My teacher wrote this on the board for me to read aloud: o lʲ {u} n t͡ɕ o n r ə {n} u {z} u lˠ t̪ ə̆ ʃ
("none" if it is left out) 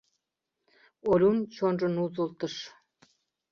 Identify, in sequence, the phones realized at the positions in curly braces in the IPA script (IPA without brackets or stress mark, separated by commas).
u, n, z